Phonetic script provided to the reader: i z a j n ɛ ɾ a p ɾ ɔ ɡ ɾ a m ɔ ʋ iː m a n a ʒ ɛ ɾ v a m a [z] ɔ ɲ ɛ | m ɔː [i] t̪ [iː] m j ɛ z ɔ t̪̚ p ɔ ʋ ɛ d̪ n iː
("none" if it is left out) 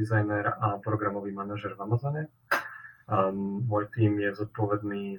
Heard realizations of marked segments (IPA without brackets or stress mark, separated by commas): z, j, iː